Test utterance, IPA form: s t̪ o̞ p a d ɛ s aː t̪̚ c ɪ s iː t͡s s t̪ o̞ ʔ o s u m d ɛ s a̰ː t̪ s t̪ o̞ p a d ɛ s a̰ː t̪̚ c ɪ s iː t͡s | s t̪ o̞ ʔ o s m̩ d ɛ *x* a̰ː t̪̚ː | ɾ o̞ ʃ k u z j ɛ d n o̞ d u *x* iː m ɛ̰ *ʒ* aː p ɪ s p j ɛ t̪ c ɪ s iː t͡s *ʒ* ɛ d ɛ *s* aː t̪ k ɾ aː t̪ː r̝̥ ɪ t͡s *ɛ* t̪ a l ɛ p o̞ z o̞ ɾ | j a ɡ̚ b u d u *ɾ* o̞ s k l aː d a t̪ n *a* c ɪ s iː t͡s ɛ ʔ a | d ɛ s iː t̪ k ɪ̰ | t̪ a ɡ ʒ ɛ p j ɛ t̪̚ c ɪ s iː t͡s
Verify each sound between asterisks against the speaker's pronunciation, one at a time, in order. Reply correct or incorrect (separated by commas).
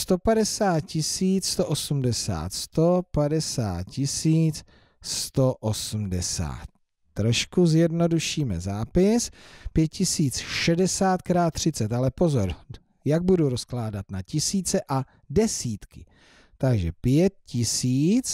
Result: incorrect, incorrect, incorrect, incorrect, correct, correct, correct, correct